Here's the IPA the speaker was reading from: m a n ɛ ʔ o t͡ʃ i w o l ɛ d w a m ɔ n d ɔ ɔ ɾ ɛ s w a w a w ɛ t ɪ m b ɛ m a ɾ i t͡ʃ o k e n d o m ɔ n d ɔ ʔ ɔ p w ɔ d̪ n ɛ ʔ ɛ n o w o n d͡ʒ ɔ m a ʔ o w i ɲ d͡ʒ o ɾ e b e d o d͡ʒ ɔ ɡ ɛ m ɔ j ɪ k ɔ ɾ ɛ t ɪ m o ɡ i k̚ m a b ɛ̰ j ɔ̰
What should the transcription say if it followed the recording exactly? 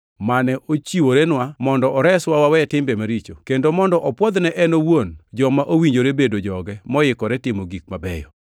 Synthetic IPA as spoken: m a n ɛ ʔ o t͡ʃ i w o ɾ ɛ n w a m ɔ n d ɔ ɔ ɾ ɛ s w a w a w ɛ t ɪ m b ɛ m a ɾ i t͡ʃ o k e n d o m ɔ n d ɔ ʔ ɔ p w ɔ d̪ n ɛ ʔ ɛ n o w o n d͡ʒ ɔ m a ʔ o w i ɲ d͡ʒ o ɾ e b e d o d͡ʒ ɔ ɡ ɛ m ɔ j ɪ k ɔ ɾ ɛ t ɪ m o ɡ i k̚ m a b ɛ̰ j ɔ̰